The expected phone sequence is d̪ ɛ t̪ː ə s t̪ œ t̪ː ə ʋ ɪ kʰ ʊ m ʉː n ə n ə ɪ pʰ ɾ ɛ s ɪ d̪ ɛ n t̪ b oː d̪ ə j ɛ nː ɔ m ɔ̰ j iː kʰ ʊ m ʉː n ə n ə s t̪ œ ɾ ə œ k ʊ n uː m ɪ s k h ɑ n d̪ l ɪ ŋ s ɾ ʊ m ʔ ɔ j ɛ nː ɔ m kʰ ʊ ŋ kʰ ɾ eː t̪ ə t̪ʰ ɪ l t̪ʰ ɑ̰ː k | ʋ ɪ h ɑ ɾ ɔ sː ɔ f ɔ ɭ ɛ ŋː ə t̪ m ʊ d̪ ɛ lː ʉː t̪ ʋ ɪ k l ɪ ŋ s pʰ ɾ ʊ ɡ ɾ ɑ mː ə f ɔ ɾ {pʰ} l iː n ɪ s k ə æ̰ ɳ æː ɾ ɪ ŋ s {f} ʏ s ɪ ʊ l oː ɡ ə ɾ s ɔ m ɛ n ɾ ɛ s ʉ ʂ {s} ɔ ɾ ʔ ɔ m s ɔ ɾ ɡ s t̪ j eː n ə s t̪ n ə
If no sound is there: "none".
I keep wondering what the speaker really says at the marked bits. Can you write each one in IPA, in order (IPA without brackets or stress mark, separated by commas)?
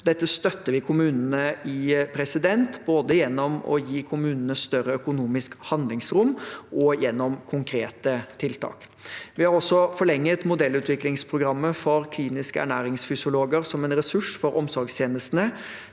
kʰ, f, f